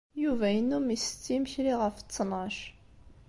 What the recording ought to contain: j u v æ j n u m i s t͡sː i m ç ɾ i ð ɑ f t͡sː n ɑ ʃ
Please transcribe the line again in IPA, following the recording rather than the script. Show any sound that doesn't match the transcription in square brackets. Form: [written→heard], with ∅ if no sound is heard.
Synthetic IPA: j u v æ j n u m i s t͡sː i m ç ɾ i [ð→ʁ] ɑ f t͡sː n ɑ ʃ

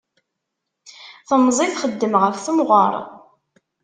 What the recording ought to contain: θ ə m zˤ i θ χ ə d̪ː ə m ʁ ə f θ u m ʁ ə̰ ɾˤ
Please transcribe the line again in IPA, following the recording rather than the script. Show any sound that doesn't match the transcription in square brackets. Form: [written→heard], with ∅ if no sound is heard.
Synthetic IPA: θ ə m zˤ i θ χ ə d̪ː ə m ʁ ə f θ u m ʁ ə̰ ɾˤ

